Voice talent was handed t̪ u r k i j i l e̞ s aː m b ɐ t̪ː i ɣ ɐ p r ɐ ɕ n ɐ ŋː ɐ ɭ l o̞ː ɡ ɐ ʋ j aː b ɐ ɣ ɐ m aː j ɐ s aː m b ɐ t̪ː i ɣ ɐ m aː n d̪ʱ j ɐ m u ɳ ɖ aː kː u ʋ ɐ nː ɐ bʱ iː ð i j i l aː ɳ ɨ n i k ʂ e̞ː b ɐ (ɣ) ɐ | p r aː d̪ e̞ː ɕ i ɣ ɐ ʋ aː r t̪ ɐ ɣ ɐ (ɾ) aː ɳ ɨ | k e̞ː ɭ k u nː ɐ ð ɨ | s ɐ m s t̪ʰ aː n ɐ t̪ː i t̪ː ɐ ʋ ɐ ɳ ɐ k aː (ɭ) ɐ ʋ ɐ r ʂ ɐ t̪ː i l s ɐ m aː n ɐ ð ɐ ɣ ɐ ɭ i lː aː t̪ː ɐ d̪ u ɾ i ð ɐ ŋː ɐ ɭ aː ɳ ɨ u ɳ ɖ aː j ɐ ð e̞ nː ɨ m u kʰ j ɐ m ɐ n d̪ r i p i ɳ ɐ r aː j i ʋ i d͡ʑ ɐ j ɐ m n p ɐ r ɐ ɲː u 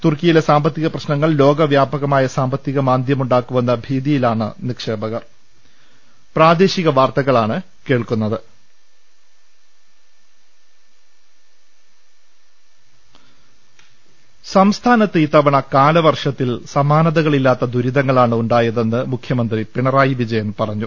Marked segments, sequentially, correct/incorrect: correct, incorrect: ɭ, incorrect: l

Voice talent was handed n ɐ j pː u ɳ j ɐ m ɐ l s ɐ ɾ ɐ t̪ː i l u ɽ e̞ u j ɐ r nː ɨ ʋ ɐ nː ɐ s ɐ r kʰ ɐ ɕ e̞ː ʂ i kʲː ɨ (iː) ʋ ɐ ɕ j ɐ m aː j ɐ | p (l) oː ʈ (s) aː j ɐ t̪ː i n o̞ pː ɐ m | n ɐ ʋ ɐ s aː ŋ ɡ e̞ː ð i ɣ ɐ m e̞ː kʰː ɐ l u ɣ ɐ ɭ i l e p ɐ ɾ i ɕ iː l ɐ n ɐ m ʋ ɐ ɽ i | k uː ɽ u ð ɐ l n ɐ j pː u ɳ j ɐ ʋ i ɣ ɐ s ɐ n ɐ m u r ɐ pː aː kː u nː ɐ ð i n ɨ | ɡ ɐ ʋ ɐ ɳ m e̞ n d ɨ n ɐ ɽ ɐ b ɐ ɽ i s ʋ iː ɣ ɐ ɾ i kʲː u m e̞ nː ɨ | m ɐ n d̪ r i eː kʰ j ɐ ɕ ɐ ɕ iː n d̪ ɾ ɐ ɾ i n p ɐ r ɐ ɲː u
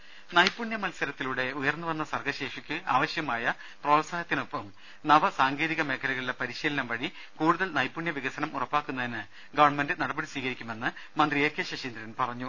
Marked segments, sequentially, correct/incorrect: incorrect: aː, incorrect: r, correct

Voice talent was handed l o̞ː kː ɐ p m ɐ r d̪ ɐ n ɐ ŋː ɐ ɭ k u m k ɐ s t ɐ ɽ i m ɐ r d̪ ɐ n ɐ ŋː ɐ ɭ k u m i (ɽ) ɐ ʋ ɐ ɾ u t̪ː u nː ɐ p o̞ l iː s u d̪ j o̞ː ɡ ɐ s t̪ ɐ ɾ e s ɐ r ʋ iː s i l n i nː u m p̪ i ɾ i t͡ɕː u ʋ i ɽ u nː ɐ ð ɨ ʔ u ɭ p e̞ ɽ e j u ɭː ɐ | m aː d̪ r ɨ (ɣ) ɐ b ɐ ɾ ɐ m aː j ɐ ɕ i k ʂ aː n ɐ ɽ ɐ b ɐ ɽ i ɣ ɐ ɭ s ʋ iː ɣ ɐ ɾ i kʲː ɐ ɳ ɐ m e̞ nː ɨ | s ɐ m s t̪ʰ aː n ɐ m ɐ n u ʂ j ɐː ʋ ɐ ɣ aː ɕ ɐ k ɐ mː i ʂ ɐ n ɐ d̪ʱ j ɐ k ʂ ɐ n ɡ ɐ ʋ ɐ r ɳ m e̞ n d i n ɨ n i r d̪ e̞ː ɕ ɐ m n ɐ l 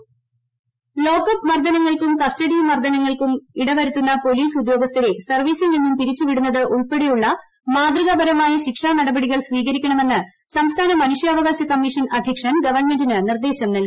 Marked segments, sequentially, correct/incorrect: correct, correct

